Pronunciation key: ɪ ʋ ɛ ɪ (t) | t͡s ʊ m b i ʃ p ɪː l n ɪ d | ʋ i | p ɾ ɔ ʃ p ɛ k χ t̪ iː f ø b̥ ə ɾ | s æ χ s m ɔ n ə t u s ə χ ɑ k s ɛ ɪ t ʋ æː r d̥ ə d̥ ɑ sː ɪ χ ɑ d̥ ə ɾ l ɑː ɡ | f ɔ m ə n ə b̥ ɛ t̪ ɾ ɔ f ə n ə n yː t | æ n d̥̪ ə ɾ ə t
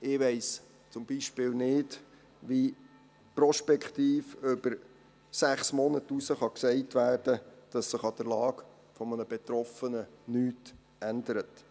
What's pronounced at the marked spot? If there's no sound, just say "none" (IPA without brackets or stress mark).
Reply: s